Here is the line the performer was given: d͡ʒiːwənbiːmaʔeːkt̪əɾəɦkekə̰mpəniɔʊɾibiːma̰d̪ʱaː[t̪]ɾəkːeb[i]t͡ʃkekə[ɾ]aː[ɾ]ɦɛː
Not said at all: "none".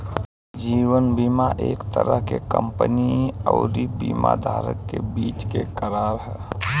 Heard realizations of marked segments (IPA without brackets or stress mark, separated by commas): none, iː, ɾ, ɾ